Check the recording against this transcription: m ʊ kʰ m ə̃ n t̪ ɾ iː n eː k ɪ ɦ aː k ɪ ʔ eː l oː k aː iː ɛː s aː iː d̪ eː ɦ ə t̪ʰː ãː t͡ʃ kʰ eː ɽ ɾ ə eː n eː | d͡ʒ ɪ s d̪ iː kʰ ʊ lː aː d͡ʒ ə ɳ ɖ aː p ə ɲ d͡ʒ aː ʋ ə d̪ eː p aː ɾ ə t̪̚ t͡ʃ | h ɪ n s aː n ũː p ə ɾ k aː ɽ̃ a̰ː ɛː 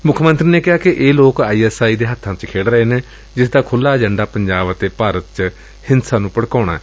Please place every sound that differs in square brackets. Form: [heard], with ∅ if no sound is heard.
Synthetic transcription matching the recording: m ʊ kʰ m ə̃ n t̪ ɾ iː n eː k ɪ ɦ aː k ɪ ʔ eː l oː k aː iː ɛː s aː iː d̪ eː ɦ ə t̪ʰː ãː t͡ʃ kʰ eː ɽ ɾ ə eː n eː | d͡ʒ ɪ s d̪ [aː] kʰ ʊ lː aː d͡ʒ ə ɳ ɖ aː p ə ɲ d͡ʒ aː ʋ ə [t̪] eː p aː ɾ ə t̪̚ t͡ʃ | h ɪ n s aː n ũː p ə [ɽ] k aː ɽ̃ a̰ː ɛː